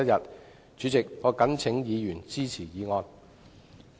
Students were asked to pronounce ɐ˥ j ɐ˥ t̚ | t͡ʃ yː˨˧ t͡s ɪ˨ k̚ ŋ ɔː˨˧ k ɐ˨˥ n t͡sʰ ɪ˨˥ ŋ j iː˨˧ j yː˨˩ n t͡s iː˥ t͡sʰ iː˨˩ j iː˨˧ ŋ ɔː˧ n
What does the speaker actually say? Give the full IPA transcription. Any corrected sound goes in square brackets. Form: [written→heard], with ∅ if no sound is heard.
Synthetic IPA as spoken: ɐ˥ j [ɐ˥→ɐ˨] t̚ | t͡ʃ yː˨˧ t͡s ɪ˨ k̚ ŋ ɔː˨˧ k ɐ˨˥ n t͡sʰ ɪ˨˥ ŋ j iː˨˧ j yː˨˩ n t͡s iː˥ t͡sʰ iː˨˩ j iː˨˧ ŋ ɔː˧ n